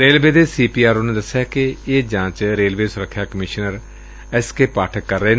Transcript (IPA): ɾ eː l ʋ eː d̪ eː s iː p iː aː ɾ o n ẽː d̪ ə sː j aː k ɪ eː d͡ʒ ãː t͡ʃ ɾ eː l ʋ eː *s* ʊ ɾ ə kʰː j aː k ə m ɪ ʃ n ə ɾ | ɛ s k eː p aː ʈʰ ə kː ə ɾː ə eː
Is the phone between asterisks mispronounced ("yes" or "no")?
no